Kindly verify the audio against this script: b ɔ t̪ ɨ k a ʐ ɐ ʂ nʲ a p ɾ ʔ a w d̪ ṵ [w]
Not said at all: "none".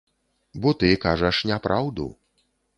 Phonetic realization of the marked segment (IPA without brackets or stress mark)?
none